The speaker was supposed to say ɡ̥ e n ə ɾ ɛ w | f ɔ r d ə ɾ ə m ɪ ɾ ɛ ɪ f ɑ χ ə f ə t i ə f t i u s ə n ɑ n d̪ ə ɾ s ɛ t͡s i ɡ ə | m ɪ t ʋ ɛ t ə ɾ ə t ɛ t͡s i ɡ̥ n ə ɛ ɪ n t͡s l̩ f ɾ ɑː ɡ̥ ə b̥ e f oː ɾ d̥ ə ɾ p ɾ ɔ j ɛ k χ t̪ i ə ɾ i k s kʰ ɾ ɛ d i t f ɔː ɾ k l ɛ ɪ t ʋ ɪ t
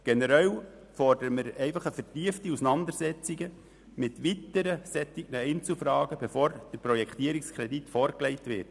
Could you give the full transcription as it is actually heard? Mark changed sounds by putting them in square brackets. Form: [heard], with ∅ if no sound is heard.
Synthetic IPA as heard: ɡ̥ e n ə ɾ ɛ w | f ɔ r d ə ɾ ə m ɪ ɾ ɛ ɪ f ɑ χ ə f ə t i ə f t i u s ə n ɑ n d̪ ə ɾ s ɛ t͡s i ɡ ə | m ɪ t ʋ [i] t ə ɾ ə [s] ɛ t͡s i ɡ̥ n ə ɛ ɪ n t͡s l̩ f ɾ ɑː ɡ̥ ə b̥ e f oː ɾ d̥ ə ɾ p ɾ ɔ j ɛ k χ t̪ i ə ɾ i k s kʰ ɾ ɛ d i t f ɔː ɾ k l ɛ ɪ t ʋ ɪ t